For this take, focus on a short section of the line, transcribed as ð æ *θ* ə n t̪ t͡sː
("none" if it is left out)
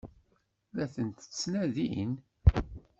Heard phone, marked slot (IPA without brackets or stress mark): θ